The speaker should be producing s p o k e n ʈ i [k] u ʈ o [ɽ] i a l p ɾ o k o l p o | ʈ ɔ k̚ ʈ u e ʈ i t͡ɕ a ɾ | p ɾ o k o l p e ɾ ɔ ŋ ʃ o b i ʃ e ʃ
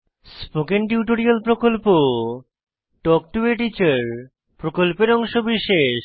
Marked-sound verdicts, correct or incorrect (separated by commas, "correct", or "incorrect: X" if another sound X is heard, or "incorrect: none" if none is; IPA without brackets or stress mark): incorrect: none, incorrect: ɾ